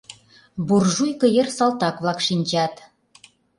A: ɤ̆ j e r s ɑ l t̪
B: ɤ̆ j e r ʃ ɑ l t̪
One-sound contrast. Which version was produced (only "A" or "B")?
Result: A